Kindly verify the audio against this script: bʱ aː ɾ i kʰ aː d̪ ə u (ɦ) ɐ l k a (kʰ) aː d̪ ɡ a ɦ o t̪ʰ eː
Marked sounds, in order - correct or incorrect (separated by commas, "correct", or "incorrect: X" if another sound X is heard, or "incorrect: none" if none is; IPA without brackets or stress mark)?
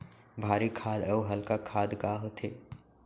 correct, correct